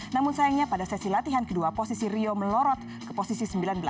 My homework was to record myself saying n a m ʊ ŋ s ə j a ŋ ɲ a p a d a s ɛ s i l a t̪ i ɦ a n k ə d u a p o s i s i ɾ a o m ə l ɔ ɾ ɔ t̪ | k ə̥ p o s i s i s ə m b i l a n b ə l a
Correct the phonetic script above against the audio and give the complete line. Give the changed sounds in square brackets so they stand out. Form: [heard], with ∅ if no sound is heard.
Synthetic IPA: n a m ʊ [n] s [a] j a ŋ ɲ a p a d a s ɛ s i l a t̪ i ɦ a n k ə d u a p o s i s i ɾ [i] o m ə l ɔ ɾ ɔ t̪ | k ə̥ p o s i s i s ə m b i l a n b ə l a

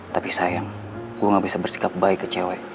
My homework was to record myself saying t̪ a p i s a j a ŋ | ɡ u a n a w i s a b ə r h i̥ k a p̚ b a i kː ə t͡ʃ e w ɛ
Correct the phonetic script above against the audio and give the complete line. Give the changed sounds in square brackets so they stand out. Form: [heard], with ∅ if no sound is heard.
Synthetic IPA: t̪ a p i s a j a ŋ | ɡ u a [ŋ] a [b] i s a b ə r [s] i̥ k a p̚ b a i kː ə t͡ʃ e w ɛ

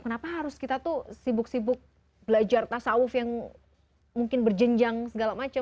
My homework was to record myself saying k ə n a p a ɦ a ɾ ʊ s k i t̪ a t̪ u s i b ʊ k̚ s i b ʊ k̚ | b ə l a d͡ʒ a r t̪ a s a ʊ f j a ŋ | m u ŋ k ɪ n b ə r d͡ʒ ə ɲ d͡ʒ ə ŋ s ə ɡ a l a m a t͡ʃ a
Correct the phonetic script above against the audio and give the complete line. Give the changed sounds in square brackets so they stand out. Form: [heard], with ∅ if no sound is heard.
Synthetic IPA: k ə n a p a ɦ a ɾ ʊ s k i t̪ a t̪ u s i b ʊ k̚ s i b ʊ k̚ | b ə l a d͡ʒ a r t̪ a s a ʊ f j a ŋ | m u ŋ k ɪ n b ə r d͡ʒ ə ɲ d͡ʒ [a] ŋ s ə ɡ a l a m a t͡ʃ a

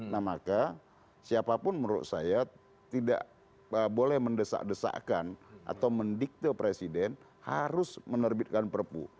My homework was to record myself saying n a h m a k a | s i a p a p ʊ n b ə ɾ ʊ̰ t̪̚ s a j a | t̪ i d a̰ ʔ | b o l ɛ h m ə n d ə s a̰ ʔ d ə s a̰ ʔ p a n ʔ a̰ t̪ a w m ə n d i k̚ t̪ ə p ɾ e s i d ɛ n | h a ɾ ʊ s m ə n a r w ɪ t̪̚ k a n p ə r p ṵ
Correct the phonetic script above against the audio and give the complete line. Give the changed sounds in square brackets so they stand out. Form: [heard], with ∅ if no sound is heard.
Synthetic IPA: n a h m a k a | s i a p a p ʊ n [m] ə ɾ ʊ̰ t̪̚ s a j a | t̪ i d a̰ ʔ | b o l ɛ h m ə n d ə s a̰ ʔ d ə s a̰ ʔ [k] a n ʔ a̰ t̪ a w m ə n d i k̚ t̪ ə p ɾ e s i d ɛ n | h a ɾ ʊ s m ə n [ə] r [b] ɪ t̪̚ k a n p ə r p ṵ

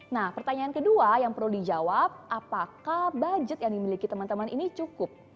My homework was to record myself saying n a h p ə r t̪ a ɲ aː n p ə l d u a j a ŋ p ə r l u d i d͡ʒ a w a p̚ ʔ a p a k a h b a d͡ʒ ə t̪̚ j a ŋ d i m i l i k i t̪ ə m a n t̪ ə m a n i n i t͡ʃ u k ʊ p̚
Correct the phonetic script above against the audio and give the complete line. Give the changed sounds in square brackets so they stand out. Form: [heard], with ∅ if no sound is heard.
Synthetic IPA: n a h p ə r t̪ a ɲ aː n [k] ə [∅] d u a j a ŋ p ə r l u d i d͡ʒ a w a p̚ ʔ a p a k a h b a d͡ʒ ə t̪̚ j a ŋ d i m i l i k i t̪ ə m a n t̪ ə m a n i n i t͡ʃ u k ʊ p̚

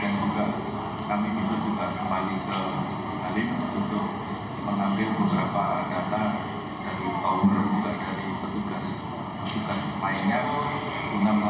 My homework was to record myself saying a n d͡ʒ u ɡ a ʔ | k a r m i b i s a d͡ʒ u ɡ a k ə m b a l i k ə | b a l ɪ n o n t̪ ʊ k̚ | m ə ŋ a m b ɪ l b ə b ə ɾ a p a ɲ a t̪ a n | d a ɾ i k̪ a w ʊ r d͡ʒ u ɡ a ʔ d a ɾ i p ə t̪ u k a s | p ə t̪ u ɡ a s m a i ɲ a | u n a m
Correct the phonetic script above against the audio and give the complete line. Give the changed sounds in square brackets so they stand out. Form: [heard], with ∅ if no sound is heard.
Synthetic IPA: a n d͡ʒ u ɡ a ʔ | k a [∅] m i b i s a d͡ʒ u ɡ a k ə m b a l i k ə | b a l ɪ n [u] n t̪ ʊ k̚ | m ə ŋ a m b ɪ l b ə b ə ɾ a p a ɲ a t̪ a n | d a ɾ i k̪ a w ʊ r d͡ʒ u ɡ a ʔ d a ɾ i p ə t̪ u [ɡ] a s | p ə t̪ u ɡ a s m a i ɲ a | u n a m

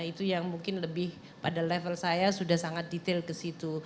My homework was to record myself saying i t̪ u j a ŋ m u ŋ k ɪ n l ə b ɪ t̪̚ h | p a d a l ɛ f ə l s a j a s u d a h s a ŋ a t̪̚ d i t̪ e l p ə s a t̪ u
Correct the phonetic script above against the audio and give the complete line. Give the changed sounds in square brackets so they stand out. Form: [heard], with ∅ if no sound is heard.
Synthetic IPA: i t̪ u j a ŋ m u ŋ k ɪ n l ə b ɪ [∅] h | p a d a l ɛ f ə l s a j a s u d a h s a ŋ a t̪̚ d i t̪ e l [k] ə s [i] t̪ u

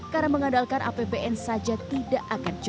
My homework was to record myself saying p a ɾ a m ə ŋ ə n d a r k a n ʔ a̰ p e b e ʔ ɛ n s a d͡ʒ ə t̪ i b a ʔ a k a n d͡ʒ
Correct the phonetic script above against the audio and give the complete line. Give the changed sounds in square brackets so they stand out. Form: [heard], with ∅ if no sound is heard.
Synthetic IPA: [k] a ɾ a m ə ŋ [a] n d a [l] k a n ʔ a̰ p e b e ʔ ɛ n s a d͡ʒ [a] t̪ i [d] a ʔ a k a n d͡ʒ

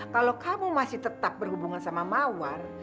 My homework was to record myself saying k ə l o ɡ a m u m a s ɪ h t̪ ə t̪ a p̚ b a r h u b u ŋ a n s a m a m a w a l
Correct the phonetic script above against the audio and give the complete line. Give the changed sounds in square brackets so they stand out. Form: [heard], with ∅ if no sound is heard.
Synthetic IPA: k [a] l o [k] a m u m a s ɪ h t̪ ə t̪ a p̚ b [ə] r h u b u ŋ a n s a m a m a w a [r]

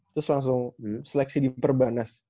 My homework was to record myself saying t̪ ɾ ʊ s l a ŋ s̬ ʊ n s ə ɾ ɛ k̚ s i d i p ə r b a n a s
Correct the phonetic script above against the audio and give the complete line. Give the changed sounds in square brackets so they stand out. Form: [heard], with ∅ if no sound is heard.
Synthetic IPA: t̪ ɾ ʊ s l a ŋ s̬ ʊ [ŋ] s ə [l] ɛ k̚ s i d i p ə r b a n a s

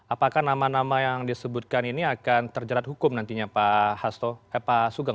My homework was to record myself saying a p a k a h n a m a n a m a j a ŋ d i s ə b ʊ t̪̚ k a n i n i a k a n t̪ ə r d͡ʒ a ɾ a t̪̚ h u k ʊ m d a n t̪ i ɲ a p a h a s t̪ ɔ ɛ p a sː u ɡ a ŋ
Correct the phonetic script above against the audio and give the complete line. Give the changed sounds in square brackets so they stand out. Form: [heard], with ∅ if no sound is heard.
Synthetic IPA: a p a k a h n a m a n a m a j a ŋ d i s ə b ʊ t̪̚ k a n i n i a k a n t̪ ə r d͡ʒ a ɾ a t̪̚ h u k ʊ m [n] a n t̪ i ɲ a p a h a s t̪ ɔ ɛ p a [s] u ɡ a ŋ

